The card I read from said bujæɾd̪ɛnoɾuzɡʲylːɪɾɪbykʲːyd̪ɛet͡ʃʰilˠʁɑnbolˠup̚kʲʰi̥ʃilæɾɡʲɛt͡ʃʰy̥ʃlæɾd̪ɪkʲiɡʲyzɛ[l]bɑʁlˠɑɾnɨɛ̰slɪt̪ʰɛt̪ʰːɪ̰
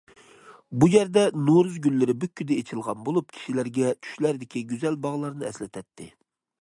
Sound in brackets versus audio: correct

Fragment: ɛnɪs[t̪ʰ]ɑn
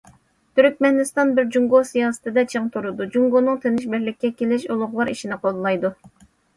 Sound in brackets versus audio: incorrect: t̪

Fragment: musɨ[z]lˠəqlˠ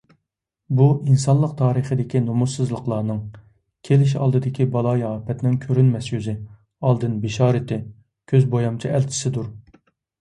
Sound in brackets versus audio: correct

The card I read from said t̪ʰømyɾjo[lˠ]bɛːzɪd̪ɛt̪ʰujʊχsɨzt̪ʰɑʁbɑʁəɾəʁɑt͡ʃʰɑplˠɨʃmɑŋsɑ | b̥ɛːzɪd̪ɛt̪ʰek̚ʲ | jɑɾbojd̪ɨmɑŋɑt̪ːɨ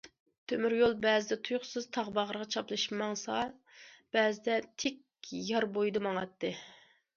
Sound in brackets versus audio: correct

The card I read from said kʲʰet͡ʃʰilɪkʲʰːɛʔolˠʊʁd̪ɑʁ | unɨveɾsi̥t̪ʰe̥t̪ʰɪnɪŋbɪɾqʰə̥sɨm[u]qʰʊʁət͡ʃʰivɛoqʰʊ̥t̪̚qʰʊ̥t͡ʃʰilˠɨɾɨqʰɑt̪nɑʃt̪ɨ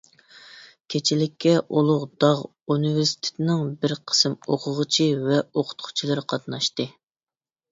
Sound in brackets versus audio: incorrect: o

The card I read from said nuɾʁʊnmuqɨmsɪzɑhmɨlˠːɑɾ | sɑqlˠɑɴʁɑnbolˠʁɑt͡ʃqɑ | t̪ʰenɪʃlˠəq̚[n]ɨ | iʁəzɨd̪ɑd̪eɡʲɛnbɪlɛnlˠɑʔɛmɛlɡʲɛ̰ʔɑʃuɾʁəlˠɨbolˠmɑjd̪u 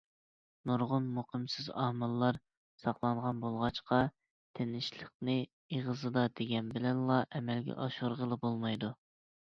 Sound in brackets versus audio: correct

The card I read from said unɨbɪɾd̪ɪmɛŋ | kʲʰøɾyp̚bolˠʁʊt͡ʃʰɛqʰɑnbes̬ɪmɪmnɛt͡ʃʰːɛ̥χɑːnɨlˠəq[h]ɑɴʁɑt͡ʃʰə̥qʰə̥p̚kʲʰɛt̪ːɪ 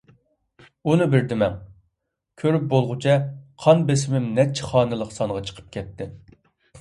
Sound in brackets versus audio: incorrect: s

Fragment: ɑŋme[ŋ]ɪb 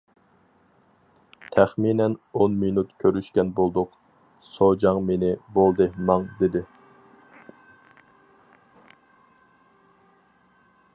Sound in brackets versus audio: incorrect: n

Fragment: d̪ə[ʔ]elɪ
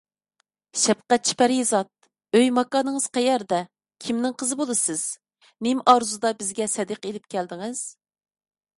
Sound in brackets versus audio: incorrect: q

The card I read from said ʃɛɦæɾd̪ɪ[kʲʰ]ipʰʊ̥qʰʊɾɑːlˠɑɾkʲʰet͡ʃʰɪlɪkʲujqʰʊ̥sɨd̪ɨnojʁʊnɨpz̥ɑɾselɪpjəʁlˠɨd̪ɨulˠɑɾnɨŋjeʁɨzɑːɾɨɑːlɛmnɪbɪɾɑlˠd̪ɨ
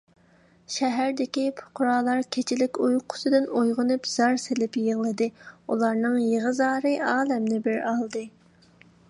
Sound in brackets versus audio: incorrect: kʲ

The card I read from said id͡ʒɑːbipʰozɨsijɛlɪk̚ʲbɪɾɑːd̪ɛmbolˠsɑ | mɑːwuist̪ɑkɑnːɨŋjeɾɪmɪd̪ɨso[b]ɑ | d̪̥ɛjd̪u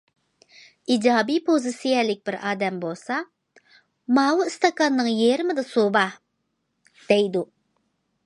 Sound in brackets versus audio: correct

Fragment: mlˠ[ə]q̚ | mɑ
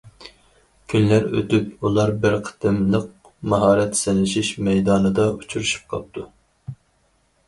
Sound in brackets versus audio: correct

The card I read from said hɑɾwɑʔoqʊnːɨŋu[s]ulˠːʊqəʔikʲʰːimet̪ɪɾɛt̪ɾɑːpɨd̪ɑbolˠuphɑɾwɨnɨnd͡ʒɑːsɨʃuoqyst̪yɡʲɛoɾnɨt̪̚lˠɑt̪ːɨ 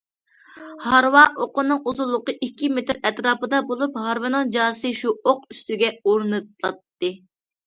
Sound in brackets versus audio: incorrect: z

